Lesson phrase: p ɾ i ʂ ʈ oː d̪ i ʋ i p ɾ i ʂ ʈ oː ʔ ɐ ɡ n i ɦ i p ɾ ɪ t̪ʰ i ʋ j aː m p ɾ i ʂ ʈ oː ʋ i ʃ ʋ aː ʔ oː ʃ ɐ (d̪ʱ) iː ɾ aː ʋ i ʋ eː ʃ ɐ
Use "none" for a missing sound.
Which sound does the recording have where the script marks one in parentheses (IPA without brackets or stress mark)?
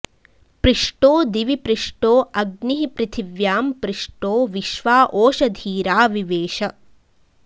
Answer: d̪ʱ